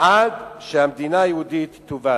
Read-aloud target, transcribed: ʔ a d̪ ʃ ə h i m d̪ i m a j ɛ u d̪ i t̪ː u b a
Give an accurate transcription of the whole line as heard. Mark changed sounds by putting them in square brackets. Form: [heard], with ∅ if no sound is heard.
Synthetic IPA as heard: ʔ a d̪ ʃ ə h [a] m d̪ i [n] a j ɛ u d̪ i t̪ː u [v] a